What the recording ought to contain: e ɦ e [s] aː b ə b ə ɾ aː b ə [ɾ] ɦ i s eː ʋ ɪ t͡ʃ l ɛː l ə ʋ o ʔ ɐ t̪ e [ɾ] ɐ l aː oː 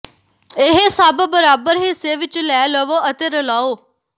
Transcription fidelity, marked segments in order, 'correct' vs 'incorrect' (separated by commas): correct, correct, correct